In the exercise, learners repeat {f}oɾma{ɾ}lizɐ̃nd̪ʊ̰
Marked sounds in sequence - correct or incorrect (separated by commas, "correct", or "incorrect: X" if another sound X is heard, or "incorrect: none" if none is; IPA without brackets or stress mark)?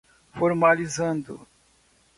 correct, incorrect: none